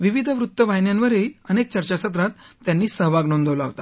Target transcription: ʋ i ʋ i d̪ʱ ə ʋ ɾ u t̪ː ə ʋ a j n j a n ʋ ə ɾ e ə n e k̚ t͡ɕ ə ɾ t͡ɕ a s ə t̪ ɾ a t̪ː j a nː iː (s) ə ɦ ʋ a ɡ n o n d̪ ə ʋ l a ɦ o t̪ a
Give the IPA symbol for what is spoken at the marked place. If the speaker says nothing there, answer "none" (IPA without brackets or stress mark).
s